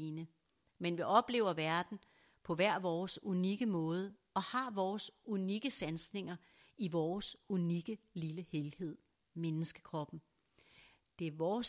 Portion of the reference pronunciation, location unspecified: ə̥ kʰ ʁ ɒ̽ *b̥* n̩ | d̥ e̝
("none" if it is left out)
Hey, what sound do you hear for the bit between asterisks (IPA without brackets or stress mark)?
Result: b̥